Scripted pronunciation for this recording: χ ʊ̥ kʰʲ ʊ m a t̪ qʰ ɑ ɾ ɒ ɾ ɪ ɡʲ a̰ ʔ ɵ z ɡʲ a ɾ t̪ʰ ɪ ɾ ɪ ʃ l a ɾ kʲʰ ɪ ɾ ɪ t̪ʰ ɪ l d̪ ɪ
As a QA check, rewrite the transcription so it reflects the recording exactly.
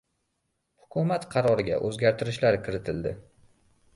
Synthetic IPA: h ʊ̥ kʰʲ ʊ m a t̪ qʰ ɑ ɾ ɒ ɾ ɪ ɡʲ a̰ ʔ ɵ z ɡʲ a ɾ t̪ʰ ɪ ɾ ɪ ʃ l a ɾ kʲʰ ɪ ɾ ɪ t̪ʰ ɪ l d̪ ɪ